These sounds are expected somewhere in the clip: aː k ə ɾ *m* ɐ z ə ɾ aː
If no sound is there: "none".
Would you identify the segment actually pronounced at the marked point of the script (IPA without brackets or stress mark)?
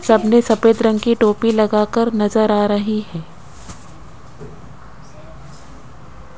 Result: n